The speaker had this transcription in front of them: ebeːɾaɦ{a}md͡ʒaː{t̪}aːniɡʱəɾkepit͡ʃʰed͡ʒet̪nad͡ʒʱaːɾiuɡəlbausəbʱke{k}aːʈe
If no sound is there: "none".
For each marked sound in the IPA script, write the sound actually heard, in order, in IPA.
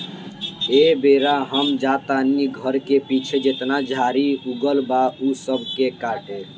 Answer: ə, t̪, k

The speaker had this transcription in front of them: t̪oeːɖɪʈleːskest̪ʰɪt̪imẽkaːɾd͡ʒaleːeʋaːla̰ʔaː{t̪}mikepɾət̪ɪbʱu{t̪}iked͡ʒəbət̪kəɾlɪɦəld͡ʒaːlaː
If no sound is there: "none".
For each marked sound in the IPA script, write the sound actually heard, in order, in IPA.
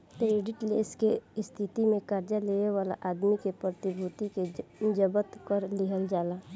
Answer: d̪, t̪

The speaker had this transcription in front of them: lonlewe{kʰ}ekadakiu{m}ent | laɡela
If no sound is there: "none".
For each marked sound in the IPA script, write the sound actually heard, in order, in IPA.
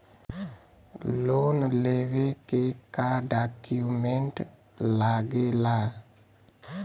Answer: k, m

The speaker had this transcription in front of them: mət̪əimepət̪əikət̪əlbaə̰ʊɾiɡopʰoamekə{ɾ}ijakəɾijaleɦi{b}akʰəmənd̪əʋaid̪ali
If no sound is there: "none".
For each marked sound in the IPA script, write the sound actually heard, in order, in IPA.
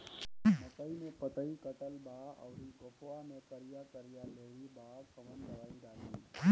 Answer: ɾ, b

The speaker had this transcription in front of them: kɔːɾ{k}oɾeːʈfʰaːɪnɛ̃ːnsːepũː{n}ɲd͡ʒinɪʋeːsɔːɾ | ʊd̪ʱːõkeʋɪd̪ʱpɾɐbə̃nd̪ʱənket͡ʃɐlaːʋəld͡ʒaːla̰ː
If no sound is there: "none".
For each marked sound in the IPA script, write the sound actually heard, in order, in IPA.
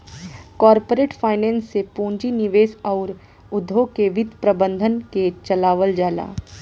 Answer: p, none

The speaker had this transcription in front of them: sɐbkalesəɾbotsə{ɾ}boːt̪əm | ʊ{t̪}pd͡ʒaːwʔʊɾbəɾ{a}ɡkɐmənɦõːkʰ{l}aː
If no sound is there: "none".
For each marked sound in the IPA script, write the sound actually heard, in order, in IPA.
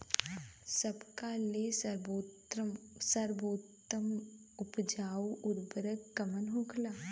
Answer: ɾ, none, ə, l

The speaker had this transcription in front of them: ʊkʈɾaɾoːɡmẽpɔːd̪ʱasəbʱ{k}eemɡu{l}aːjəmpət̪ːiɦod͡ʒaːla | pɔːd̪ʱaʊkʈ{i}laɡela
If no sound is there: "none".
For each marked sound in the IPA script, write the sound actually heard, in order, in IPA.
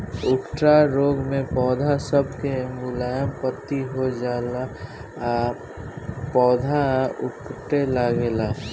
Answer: k, l, e

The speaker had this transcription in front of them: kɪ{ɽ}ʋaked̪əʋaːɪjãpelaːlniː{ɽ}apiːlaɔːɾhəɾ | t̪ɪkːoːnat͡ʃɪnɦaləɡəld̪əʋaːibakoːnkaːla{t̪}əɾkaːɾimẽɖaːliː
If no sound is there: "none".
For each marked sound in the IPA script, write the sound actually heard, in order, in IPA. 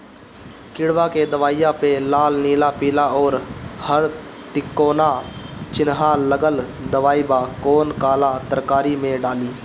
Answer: ɽ, l, t̪

